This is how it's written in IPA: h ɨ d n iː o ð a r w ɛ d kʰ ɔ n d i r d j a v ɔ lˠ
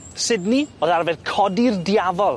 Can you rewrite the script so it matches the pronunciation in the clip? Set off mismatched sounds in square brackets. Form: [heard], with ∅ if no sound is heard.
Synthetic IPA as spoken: [s] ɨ d n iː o ð a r [v] ɛ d kʰ ɔ [∅] d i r d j a v ɔ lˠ